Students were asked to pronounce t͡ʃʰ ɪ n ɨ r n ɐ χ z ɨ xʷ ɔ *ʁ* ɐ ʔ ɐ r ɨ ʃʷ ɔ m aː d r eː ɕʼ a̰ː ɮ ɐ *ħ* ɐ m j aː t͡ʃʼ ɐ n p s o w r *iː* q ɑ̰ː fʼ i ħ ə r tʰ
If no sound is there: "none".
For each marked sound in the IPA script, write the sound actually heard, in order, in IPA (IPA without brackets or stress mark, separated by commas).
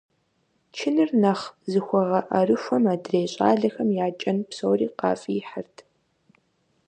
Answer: ʁ, x, iː